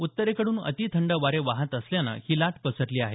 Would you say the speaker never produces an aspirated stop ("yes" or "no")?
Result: no